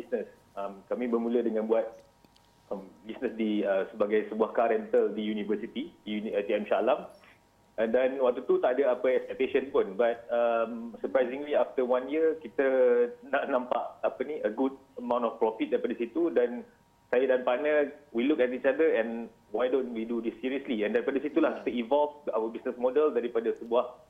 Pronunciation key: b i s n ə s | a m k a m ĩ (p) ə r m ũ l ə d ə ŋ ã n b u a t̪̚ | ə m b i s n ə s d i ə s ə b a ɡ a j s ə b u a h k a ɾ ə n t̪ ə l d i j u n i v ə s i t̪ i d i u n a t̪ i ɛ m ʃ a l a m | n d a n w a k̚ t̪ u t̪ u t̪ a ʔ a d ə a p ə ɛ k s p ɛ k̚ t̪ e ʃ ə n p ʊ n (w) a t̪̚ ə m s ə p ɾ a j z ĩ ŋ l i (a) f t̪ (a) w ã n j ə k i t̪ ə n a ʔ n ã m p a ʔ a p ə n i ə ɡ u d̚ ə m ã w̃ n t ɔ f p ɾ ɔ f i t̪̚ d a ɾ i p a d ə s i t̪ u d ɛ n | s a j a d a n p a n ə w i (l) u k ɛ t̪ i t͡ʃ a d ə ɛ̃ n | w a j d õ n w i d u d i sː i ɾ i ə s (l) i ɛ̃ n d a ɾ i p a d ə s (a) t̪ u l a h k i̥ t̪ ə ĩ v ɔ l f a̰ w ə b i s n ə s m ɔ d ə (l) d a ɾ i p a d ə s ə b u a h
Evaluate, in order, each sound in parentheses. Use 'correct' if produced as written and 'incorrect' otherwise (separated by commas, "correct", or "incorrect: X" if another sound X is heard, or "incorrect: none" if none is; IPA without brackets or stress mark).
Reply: incorrect: b, incorrect: b, correct, incorrect: ə, correct, correct, incorrect: i, correct